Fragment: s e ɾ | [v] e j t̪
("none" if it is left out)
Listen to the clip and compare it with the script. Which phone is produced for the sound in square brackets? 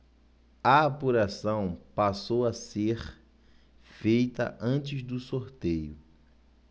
f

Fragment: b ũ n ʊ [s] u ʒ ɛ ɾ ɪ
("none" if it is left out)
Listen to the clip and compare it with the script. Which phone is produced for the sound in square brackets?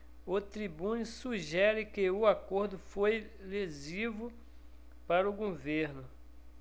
s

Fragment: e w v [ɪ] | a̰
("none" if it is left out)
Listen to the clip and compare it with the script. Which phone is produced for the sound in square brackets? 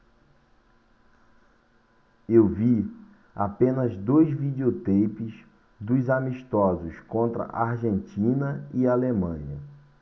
i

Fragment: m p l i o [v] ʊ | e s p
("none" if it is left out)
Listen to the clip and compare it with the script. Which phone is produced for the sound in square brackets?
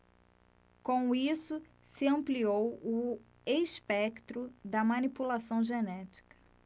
w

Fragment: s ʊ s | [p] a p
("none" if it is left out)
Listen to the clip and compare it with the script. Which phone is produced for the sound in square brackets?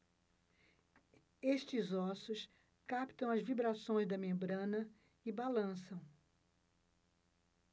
k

